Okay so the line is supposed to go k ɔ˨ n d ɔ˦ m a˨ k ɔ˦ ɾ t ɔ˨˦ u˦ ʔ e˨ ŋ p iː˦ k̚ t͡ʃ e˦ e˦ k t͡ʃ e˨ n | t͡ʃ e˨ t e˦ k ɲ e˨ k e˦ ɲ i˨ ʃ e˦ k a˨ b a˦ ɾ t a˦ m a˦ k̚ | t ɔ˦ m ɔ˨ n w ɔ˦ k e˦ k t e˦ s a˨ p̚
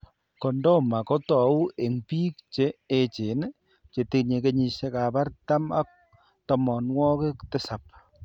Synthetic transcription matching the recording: k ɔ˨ n d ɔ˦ m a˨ k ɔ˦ t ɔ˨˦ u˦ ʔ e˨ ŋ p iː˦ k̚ t͡ʃ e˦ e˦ t͡ʃ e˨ n | t͡ʃ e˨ t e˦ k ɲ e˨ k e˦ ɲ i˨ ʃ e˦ k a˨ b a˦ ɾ t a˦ m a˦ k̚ | t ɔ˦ m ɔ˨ n w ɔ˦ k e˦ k t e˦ s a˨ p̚